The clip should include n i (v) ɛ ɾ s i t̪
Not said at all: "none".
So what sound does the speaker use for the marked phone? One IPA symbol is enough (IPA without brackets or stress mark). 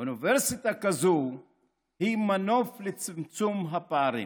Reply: v